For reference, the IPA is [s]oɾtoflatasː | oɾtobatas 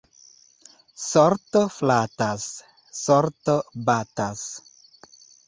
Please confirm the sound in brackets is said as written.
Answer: yes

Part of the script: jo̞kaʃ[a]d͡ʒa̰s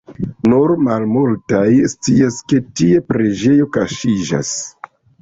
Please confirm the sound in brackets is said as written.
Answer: no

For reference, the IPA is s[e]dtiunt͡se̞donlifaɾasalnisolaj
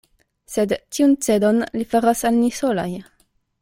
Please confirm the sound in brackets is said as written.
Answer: yes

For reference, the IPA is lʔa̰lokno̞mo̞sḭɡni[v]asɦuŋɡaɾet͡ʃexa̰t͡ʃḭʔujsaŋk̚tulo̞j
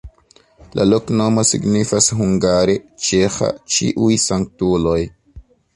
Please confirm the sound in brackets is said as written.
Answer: no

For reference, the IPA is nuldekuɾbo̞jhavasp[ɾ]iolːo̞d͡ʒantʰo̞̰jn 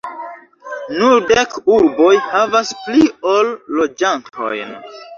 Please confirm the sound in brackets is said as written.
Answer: no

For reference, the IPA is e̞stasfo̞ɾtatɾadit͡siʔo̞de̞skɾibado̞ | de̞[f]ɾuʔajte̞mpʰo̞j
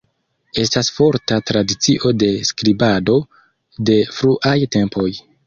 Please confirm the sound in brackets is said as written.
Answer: yes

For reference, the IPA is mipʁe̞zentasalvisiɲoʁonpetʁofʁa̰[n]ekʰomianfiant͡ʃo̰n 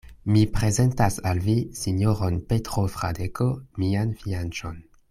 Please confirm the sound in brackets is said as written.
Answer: no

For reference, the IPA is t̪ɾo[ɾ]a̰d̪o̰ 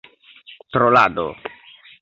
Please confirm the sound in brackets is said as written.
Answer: no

